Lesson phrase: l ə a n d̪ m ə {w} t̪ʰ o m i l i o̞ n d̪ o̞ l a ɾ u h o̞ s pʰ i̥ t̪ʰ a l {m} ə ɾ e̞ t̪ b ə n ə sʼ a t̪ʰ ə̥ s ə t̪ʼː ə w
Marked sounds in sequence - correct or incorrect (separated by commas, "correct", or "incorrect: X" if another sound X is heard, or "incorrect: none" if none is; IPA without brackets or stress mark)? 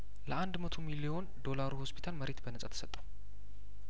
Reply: incorrect: none, correct